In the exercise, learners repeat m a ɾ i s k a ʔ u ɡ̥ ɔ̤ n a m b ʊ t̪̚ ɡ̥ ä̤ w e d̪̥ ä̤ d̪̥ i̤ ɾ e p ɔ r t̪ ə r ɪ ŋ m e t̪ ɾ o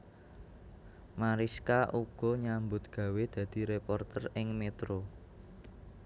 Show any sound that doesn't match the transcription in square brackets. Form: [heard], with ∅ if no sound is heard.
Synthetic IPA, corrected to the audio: m a ɾ i s k a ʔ u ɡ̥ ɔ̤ [ɲ] a m b ʊ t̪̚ ɡ̥ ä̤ w e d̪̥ ä̤ d̪̥ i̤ ɾ e p ɔ r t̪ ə r ɪ ŋ m e t̪ ɾ o